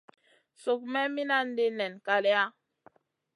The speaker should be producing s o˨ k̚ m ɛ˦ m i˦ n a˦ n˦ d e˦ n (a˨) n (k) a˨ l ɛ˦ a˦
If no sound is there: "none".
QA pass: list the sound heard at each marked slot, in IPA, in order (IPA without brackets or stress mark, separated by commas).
ɛ˨, k